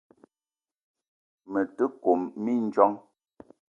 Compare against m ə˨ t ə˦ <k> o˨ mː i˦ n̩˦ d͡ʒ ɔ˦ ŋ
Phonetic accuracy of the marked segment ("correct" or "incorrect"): correct